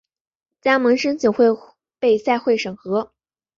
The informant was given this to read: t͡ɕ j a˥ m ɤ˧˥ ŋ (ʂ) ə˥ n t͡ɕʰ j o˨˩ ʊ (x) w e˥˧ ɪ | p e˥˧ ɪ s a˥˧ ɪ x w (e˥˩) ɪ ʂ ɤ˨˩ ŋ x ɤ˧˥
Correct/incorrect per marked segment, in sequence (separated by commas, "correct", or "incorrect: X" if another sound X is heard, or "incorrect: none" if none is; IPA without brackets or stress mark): correct, correct, correct